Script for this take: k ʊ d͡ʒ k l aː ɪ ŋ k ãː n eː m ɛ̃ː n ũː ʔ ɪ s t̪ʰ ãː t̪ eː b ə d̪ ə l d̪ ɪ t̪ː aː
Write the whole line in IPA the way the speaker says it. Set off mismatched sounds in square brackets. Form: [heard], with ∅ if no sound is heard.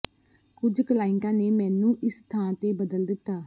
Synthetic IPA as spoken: k ʊ d͡ʒ k l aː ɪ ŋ k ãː n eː m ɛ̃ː n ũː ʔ ɪ s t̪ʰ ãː t̪ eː b ə d̪ ə l d̪ ɪ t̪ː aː